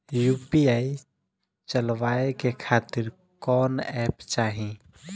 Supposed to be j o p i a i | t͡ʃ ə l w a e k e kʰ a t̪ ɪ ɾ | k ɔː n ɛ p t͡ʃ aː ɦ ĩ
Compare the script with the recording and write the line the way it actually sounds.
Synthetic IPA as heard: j u p i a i | t͡ʃ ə l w a e k e kʰ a t̪ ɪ ɾ | k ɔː n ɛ p t͡ʃ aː ɦ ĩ